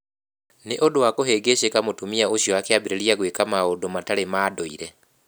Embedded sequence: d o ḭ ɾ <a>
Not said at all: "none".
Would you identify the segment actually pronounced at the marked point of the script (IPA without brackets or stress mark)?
ɛ